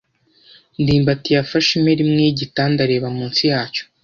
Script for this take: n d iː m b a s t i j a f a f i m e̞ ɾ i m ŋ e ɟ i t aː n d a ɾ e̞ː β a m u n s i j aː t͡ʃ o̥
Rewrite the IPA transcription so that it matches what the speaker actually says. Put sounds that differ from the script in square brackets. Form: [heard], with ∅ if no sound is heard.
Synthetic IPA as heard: n d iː m b a [∅] t i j a f a [ʃ] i m e̞ ɾ i m ŋ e ɟ i t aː n d a ɾ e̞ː β a m [uː] n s i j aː t͡ʃ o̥